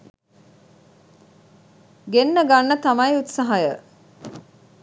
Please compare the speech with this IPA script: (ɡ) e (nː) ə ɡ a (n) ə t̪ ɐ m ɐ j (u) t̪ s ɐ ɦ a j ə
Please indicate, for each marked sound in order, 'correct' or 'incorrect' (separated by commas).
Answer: correct, correct, incorrect, correct